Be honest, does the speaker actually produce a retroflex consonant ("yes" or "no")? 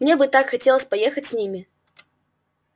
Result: no